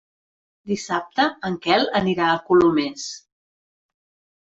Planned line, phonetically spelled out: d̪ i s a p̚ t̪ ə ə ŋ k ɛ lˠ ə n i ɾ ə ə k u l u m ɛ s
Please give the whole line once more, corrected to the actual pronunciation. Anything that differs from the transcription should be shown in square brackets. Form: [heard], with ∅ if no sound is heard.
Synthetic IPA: d̪ i s a p̚ t̪ ə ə ŋ k ɛ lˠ ə n i ɾ [a] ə k u l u m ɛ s